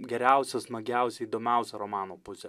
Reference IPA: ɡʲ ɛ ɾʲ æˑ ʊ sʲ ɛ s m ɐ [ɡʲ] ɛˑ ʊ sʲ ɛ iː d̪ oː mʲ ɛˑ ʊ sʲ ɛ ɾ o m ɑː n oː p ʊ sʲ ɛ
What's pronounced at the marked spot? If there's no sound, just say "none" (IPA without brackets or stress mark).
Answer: ɡʲ